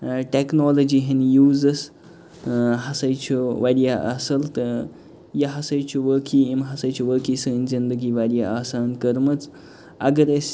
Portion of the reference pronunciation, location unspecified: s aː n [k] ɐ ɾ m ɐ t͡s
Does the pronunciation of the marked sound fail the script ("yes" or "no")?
no